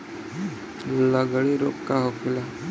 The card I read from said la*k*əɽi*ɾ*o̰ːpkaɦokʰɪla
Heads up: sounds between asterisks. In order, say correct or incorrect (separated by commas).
incorrect, correct